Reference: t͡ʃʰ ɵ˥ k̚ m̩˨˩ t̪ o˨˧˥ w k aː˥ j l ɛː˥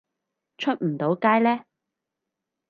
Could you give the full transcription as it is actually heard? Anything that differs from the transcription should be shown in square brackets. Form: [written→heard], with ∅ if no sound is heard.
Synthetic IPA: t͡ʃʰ ɵ˥ [k̚→t̚] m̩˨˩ t̪ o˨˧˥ w k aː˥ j l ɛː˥